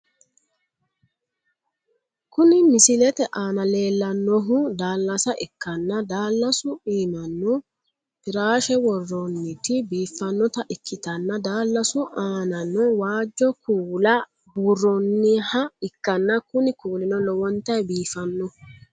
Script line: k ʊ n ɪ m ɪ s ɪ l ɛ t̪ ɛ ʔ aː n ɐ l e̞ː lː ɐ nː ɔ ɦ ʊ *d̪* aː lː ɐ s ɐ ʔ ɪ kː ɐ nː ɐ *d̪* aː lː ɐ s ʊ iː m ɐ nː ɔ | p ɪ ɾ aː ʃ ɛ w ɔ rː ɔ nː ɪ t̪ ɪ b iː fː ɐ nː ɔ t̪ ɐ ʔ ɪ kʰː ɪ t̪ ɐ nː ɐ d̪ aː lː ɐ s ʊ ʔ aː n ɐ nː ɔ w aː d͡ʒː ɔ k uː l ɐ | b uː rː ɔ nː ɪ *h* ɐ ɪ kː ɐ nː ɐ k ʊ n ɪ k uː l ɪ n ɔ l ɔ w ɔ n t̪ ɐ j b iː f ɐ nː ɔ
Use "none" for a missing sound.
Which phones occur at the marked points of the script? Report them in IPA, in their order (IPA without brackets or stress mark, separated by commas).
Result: d̪, d̪, h